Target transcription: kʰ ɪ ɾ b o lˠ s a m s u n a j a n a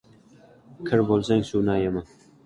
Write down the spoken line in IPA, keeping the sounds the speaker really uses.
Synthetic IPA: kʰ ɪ ɾ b o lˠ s a ŋ s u n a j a m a